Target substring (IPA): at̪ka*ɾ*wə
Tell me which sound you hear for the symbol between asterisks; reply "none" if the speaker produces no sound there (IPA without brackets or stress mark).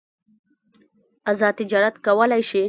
none